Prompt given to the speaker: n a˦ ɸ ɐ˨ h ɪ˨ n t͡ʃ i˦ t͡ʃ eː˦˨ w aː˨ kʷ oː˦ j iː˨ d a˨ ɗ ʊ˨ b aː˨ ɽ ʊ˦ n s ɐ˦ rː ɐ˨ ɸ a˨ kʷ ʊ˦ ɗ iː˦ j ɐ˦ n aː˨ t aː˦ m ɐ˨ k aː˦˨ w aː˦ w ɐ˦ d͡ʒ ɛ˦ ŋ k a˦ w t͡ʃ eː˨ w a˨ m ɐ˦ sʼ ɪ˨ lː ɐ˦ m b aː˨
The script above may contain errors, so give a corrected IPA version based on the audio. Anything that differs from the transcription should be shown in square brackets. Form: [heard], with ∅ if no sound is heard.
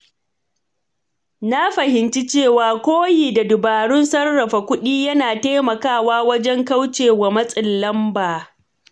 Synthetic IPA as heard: n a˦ ɸ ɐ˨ h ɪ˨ n t͡ʃ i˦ t͡ʃ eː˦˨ w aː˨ kʷ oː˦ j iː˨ d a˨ [d] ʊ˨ b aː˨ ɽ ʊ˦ n s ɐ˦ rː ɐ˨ ɸ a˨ kʷ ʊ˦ ɗ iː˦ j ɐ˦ n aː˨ t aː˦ m ɐ˨ k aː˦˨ w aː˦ w ɐ˦ d͡ʒ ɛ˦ ŋ k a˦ w t͡ʃ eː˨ w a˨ m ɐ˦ sʼ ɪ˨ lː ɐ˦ m b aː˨